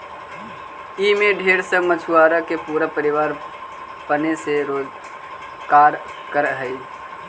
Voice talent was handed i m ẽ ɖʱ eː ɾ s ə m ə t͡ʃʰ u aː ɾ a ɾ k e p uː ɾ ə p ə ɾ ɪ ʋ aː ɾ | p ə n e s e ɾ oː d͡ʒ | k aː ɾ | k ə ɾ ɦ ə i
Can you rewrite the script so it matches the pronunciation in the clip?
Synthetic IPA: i m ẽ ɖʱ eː ɾ s ə m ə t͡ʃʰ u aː ɾ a k e p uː ɾ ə p ə ɾ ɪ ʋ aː ɾ | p ə n e s e ɾ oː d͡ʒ | k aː ɾ | k ə ɾ ɦ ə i